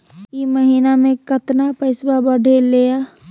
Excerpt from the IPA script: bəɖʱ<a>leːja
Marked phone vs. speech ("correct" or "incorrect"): incorrect